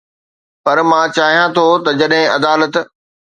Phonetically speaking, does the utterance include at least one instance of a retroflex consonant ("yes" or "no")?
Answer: no